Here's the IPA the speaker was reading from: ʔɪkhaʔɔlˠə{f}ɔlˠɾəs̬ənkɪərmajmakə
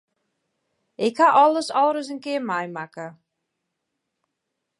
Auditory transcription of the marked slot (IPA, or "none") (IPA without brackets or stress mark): s